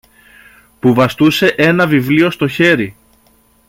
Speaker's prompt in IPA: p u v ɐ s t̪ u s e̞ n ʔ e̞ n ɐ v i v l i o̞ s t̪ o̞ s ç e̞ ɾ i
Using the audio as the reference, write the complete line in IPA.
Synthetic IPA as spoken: p u v ɐ s t̪ u s e̞ ʔ e̞ n ɐ v i v l i o̞ s t̪ o̞ ç e̞ ɾ i